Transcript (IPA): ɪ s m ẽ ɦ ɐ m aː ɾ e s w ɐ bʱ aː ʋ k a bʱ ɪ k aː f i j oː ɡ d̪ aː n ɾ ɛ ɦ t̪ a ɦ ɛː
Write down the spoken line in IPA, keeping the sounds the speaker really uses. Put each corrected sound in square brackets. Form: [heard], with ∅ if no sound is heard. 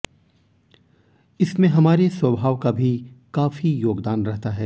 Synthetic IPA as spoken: ɪ s m ẽ ɦ ɐ m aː ɾ e s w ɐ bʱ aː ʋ k a bʱ [i] k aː f i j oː ɡ d̪ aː n ɾ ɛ ɦ t̪ a ɦ ɛː